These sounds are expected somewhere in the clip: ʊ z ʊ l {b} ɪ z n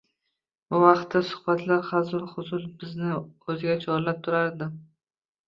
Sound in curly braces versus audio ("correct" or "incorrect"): correct